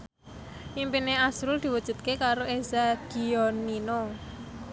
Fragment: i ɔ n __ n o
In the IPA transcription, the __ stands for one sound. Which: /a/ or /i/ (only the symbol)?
i